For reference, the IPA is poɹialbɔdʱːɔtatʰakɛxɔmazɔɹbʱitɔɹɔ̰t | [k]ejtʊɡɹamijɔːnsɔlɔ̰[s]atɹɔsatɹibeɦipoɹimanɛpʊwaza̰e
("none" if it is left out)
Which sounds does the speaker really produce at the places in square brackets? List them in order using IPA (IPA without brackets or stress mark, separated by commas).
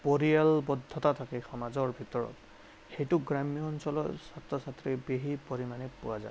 x, s